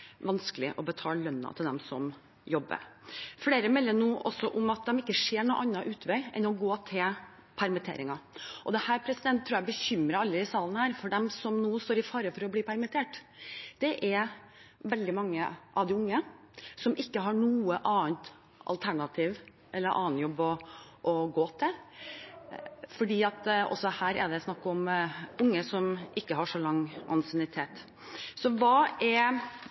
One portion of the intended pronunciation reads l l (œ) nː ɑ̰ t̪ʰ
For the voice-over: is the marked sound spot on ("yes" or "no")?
yes